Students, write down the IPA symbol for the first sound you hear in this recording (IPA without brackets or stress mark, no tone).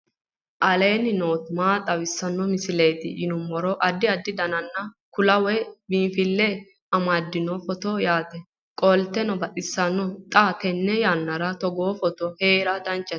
ʔ